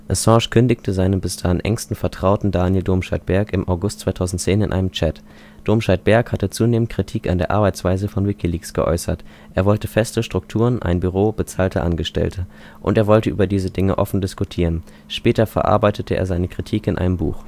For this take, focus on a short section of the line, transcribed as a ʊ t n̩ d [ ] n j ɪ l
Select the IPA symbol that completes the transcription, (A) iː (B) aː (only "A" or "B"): B